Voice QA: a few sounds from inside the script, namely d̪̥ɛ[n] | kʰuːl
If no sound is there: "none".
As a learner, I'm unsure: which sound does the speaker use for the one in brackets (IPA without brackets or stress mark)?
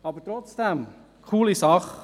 m